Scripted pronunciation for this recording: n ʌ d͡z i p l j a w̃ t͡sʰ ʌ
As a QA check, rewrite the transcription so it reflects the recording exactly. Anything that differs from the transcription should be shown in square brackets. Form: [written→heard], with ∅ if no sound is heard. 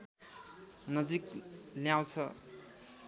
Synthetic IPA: n ʌ d͡z i [p→k] l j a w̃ t͡sʰ ʌ